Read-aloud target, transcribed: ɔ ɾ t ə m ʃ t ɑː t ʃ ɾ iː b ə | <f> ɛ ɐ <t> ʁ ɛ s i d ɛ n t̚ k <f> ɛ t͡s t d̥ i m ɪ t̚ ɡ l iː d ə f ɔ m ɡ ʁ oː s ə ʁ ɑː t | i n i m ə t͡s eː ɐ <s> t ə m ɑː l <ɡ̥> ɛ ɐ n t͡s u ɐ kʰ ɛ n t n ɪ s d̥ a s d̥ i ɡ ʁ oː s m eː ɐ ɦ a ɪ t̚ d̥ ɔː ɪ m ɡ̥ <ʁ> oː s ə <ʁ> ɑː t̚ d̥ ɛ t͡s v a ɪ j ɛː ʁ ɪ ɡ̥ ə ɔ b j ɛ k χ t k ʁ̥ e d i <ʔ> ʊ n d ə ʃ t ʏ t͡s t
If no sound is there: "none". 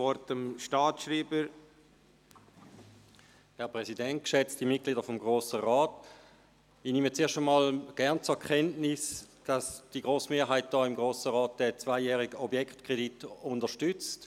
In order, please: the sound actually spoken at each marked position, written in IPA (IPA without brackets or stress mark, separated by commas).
h, p, ʃ, ʃ, ɡ̥, ʁ, ʁ, t